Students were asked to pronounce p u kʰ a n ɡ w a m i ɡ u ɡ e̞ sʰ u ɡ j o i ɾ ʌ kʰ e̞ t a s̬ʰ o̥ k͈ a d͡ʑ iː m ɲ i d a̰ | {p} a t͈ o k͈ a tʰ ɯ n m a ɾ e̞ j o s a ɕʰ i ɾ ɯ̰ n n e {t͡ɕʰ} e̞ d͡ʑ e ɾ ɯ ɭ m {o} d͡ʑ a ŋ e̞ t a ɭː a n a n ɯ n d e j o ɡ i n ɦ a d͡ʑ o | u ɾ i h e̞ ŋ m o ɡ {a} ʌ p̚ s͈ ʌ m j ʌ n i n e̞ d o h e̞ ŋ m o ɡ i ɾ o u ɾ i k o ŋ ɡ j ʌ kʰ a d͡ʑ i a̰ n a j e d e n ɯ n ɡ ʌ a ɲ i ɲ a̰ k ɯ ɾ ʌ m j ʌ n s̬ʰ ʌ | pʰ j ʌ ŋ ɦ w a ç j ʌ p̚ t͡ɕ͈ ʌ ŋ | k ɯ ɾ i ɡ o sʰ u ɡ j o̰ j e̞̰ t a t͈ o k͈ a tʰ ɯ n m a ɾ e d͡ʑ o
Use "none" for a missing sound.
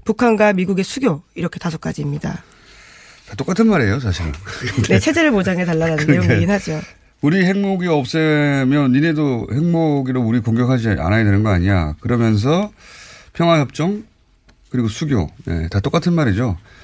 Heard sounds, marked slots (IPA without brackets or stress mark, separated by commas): t, t͡ɕʰ, o, i